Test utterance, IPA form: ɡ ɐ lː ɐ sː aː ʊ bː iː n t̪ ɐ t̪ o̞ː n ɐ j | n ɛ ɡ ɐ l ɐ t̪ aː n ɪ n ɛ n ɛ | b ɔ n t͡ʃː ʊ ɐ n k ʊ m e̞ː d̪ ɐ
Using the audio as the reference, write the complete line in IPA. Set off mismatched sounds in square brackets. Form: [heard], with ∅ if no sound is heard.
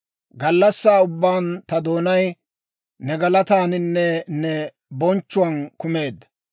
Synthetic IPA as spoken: ɡ ɐ lː ɐ sː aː ʊ bː [aː] n t̪ ɐ [d̪] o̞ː n ɐ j | n ɛ ɡ ɐ l ɐ t̪ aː n ɪ [nː] ɛ n ɛ | b ɔ n t͡ʃː ʊ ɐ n k ʊ m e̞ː d̪ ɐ